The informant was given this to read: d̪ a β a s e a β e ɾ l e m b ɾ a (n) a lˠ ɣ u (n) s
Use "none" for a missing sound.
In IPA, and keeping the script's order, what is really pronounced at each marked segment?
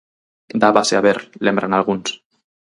n, n

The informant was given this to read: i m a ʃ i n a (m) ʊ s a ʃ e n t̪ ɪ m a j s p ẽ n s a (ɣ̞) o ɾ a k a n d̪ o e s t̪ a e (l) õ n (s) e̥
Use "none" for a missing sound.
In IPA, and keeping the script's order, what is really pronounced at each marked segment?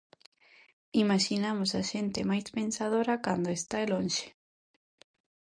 m, ð̞, l, ʃ

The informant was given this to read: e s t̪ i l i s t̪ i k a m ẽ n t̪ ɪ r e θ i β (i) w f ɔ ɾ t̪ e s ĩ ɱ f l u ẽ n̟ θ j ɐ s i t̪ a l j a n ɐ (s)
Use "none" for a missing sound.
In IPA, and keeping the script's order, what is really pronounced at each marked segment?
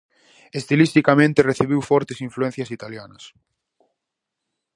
i, s

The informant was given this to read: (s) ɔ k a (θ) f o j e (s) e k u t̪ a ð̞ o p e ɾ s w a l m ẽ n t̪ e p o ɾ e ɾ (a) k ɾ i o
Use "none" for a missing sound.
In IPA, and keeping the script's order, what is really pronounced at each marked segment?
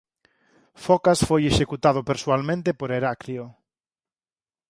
f, s, ʃ, a

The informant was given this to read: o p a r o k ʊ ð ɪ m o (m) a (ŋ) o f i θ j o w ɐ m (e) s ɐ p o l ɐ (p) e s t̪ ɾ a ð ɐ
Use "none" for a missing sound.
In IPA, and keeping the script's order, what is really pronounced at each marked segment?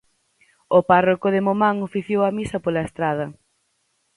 m, ŋ, i, none

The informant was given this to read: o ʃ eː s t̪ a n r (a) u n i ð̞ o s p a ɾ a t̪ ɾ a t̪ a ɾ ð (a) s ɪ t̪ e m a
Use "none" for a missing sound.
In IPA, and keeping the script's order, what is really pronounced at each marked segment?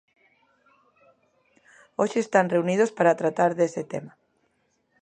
e, e

